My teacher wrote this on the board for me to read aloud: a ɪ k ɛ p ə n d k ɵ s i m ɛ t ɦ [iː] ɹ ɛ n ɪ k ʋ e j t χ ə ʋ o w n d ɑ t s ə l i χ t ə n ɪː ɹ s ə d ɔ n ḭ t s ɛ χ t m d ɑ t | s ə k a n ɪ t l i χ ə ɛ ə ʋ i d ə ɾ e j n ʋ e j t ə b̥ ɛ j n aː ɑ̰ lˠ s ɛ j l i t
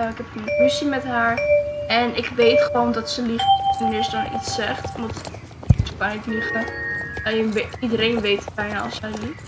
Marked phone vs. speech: incorrect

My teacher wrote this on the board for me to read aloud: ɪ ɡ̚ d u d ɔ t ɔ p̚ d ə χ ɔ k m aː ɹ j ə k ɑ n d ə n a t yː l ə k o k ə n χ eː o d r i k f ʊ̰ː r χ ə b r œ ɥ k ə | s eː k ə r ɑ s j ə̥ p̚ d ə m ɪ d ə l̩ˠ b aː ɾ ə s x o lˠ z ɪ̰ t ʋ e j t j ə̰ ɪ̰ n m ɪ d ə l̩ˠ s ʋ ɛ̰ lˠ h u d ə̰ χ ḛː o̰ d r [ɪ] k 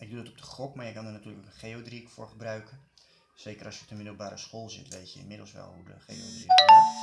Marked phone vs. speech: incorrect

